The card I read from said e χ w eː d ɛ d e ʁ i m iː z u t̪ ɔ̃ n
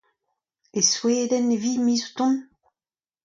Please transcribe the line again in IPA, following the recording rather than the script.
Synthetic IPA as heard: e s w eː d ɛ n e v i m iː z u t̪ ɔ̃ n